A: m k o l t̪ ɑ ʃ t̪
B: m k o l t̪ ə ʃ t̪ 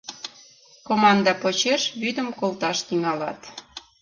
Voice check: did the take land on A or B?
A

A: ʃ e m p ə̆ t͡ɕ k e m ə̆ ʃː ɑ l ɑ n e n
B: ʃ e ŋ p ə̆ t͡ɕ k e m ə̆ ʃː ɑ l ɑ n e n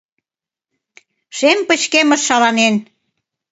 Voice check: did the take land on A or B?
A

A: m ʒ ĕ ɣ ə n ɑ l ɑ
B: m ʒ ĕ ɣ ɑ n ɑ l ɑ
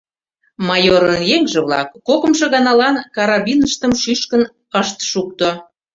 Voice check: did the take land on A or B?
B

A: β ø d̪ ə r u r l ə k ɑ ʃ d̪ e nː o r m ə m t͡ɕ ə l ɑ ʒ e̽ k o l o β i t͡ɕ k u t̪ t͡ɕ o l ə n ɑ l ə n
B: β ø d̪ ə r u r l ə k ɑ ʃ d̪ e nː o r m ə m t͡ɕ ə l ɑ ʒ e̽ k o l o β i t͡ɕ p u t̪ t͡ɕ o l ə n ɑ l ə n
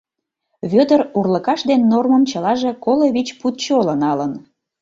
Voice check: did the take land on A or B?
B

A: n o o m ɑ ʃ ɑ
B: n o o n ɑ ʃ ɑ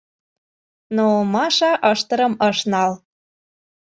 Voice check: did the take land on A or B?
A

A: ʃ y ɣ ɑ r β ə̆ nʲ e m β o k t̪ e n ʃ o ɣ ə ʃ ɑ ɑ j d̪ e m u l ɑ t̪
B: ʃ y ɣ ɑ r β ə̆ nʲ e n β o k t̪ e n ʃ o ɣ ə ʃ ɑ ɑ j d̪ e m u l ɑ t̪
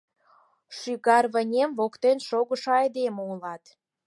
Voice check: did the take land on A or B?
A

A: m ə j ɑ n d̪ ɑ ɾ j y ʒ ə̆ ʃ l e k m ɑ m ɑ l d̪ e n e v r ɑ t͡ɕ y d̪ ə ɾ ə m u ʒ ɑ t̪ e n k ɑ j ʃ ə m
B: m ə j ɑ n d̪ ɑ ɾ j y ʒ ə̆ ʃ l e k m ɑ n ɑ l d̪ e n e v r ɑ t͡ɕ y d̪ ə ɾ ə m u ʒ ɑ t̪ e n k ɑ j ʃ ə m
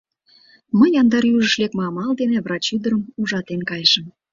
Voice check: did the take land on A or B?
A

